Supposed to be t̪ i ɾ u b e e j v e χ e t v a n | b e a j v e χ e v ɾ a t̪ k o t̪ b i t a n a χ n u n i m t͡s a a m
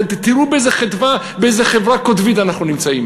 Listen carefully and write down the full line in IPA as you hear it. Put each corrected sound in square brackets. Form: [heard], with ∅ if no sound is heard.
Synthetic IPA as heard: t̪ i ɾ u b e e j [z] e χ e t v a [∅] | b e [e] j [z] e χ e v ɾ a [∅] k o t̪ [v] i t a n a χ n u n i m t͡s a [i] m